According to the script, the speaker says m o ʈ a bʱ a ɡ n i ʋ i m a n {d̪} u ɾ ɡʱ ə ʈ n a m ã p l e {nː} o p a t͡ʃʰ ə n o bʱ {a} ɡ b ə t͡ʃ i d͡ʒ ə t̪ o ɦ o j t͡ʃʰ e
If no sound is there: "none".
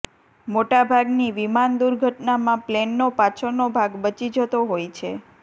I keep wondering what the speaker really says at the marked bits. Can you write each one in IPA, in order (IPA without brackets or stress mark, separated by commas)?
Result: d̪, nː, a